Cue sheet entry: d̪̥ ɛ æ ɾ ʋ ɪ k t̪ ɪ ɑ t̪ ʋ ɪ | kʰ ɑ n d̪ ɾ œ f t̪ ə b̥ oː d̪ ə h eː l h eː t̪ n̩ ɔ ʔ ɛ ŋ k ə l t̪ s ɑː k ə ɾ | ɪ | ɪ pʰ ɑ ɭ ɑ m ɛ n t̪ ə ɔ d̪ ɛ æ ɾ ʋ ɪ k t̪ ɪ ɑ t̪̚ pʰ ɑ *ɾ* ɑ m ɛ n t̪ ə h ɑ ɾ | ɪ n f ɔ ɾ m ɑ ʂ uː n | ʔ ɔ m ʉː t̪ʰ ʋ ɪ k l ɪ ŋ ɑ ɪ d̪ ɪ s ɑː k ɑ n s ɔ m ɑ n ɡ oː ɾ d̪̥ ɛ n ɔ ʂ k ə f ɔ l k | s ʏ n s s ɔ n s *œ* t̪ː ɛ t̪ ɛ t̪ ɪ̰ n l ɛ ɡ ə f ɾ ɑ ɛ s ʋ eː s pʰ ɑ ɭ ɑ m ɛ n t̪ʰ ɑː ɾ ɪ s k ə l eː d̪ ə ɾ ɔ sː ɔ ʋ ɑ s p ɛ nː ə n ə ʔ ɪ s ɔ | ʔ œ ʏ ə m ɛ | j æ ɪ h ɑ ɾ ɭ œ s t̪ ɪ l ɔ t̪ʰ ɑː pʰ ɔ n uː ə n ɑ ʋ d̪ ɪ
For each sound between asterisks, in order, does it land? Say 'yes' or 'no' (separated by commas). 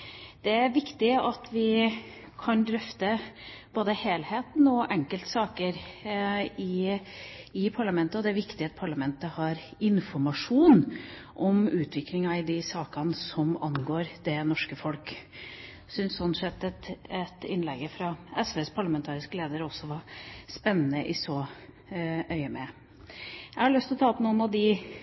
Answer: no, no